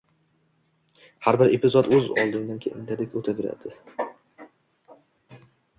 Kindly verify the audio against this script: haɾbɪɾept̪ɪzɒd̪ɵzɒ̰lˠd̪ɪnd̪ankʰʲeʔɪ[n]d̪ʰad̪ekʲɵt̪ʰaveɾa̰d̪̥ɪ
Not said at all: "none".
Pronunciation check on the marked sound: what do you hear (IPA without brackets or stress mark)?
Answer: n